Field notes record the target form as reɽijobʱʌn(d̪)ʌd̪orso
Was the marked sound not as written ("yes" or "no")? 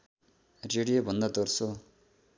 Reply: no